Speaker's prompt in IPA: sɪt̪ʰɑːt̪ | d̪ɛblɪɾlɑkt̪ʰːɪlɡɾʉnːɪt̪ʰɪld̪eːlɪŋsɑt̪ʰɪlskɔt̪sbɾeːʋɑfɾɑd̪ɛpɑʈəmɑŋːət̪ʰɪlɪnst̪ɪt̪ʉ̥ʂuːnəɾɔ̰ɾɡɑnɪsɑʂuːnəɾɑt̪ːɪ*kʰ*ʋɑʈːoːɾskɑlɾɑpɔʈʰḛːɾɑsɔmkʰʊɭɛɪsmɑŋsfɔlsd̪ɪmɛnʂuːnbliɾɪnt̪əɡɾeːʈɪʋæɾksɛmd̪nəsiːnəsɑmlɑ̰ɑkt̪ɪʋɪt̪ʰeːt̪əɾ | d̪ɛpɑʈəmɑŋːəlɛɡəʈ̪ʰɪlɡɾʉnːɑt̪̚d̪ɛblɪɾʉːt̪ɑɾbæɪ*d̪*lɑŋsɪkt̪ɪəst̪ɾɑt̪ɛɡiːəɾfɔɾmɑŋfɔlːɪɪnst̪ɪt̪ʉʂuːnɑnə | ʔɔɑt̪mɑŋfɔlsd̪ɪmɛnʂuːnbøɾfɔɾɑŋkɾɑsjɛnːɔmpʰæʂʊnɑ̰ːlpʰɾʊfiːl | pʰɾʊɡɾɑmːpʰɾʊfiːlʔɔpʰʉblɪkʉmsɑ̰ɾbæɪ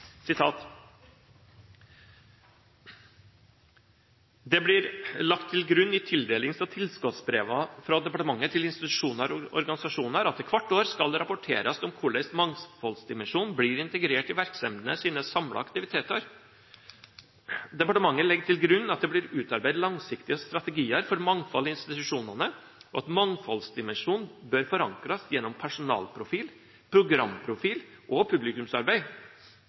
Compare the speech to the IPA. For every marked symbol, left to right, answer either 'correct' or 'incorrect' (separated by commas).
correct, correct